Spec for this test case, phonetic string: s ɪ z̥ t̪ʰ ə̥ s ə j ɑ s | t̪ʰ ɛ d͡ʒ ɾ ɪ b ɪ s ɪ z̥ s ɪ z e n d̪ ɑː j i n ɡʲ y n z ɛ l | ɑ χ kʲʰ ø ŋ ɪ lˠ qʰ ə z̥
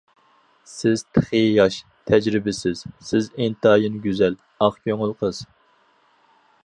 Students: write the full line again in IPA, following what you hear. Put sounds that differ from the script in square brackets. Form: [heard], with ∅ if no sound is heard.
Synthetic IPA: s ɪ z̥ t̪ʰ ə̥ [χ] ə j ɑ [ʃ] | t̪ʰ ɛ d͡ʒ ɾ ɪ b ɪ s ɪ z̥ s ɪ z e n [t̪] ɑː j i n ɡʲ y [∅] z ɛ l | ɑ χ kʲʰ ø ŋ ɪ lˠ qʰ ə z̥